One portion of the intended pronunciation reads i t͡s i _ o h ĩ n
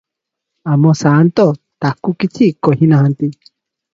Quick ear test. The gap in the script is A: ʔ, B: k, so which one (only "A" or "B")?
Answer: B